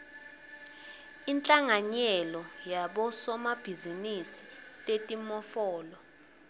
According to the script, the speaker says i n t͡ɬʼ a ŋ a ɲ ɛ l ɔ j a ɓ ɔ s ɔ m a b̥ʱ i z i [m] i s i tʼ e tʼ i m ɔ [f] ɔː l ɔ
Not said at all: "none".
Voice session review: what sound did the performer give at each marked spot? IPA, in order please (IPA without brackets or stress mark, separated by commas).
n, f